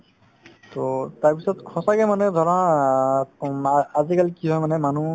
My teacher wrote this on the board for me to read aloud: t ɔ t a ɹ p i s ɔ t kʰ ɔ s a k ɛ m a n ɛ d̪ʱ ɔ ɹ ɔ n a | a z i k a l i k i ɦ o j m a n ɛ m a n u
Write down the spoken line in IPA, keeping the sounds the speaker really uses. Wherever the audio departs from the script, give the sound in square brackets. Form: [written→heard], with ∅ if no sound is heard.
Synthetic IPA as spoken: t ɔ t a ɹ p i s ɔ t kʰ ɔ s a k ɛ m a n ɛ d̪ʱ ɔ ɹ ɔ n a | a z i k a l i k i ɦ [o→ɔ] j m a n ɛ m a n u